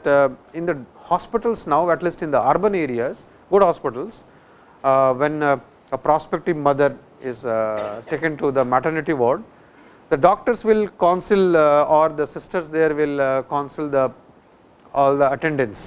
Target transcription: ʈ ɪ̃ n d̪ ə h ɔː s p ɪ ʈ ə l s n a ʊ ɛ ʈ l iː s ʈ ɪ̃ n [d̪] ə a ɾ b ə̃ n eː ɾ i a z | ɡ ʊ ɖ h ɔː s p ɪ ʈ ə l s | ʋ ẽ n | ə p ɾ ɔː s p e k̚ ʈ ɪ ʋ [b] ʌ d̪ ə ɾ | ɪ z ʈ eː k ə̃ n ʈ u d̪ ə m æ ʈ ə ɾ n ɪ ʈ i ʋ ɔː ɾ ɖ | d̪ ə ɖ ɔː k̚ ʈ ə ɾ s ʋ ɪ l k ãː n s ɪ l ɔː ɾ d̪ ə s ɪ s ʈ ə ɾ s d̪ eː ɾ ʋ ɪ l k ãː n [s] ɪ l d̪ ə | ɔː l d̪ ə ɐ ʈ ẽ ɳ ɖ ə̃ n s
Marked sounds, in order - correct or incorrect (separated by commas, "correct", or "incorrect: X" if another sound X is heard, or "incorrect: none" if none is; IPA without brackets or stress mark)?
correct, incorrect: m, correct